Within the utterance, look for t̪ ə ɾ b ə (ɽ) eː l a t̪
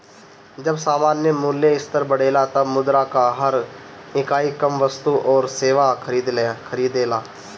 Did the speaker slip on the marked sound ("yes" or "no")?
no